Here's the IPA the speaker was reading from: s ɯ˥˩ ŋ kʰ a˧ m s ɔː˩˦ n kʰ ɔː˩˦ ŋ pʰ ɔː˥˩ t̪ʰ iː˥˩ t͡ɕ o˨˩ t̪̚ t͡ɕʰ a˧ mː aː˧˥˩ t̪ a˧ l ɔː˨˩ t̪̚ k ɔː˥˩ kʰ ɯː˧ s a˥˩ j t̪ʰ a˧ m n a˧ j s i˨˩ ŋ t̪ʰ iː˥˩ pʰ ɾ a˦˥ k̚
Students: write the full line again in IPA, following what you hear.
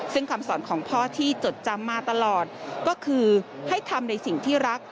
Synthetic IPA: s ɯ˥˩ ŋ kʰ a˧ m s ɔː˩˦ n kʰ ɔː˩˦ ŋ pʰ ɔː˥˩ t̪ʰ iː˥˩ t͡ɕ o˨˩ t̪̚ t͡ɕ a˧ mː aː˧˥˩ t̪ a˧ l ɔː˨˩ t̪̚ k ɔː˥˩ kʰ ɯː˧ h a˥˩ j t̪ʰ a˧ m n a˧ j s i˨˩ ŋ t̪ʰ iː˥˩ ɾ a˦˥ k̚